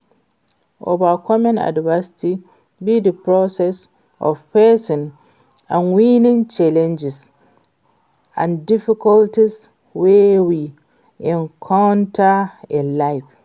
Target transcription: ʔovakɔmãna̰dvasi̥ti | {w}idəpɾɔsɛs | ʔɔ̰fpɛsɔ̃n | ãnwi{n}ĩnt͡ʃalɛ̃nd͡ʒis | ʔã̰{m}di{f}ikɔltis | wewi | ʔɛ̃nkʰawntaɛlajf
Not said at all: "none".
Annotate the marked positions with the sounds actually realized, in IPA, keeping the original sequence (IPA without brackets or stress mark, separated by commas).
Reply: b, n, n, f